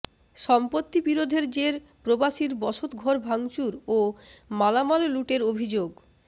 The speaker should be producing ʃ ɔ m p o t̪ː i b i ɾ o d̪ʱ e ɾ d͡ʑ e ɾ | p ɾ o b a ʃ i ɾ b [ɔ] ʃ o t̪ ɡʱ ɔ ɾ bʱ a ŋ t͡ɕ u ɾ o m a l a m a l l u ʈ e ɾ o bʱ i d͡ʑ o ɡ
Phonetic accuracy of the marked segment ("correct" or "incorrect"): correct